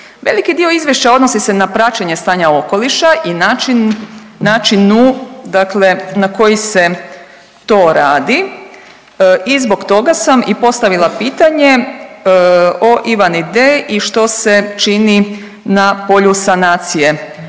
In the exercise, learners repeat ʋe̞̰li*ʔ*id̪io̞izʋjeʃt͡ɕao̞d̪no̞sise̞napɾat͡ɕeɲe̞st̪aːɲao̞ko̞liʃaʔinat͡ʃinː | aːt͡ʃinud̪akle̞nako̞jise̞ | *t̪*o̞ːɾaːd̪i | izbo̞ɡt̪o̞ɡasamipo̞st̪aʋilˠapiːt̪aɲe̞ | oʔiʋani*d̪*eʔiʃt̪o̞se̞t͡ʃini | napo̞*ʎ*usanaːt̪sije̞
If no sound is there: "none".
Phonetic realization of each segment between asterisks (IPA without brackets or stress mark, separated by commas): k, t̪, d̪, ʎ